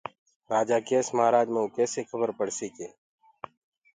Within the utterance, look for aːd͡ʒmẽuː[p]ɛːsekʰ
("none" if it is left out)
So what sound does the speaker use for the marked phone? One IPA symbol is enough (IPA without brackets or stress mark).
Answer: k